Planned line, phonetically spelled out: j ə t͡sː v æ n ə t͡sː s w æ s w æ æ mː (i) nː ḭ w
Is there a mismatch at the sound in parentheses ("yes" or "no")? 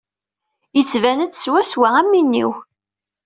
no